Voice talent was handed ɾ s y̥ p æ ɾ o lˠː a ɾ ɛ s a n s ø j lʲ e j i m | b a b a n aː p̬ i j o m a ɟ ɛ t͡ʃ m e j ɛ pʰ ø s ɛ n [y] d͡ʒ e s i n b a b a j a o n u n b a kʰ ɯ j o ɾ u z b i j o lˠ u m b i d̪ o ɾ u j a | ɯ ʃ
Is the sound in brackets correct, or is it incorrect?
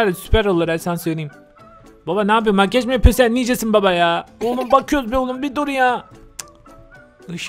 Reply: incorrect